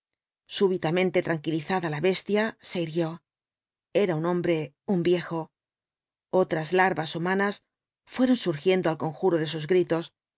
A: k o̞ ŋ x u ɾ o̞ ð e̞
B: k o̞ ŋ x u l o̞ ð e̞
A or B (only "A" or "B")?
A